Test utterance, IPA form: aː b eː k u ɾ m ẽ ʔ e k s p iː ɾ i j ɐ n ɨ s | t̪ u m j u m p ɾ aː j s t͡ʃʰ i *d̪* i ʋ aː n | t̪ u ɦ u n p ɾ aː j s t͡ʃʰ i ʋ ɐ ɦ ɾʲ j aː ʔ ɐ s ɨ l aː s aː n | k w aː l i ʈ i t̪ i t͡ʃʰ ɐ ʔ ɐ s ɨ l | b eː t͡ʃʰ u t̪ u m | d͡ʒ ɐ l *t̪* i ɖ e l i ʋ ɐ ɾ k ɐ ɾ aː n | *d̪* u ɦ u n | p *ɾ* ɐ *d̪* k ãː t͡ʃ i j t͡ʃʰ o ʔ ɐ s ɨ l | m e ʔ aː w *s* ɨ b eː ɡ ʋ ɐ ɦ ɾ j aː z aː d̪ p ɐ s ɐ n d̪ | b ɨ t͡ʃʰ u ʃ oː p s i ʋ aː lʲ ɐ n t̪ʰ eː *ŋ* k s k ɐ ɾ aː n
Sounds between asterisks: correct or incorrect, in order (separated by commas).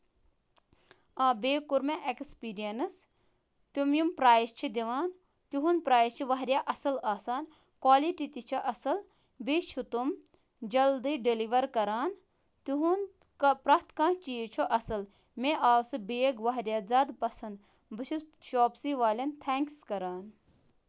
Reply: correct, incorrect, incorrect, correct, incorrect, correct, correct